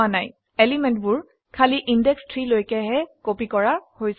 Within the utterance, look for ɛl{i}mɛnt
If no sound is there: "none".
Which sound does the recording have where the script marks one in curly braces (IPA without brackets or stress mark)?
i